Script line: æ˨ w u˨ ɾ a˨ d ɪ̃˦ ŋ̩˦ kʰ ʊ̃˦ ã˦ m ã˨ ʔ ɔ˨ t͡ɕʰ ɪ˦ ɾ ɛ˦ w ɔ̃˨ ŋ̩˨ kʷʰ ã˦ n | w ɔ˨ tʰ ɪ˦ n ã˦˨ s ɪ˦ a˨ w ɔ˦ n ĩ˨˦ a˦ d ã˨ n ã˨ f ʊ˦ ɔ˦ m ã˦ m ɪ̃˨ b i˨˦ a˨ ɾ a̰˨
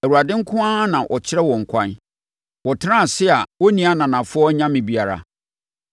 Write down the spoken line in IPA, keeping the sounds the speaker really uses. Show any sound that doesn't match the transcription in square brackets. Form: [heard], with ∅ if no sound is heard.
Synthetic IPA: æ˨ w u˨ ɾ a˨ d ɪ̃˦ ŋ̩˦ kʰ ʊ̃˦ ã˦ [n] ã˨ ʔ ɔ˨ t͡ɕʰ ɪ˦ ɾ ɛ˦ w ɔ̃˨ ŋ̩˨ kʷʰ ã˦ n | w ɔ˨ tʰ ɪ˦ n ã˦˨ s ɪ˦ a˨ w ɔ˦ n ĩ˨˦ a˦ [n] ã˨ n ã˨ f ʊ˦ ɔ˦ [ɲ] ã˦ m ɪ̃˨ b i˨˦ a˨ ɾ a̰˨